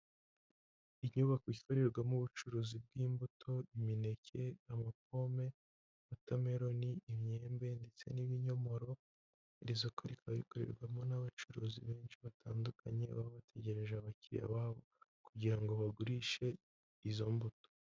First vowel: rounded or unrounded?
unrounded